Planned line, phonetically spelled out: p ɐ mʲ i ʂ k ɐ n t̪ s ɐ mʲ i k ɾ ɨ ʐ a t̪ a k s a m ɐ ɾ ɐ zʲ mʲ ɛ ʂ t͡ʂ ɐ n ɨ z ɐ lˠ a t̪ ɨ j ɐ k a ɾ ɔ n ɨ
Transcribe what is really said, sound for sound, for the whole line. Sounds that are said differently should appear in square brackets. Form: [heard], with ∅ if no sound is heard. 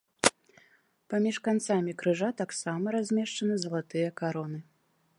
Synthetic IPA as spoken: p [a] mʲ i ʂ k [a] n t̪ s [a] mʲ i k ɾ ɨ ʐ a t̪ a k s a m ɐ ɾ [a] zʲ mʲ ɛ ʂ t͡ʂ ɐ n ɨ z ɐ lˠ a t̪ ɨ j ɐ k a ɾ ɔ n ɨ